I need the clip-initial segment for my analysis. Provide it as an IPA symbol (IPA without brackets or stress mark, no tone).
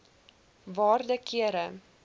v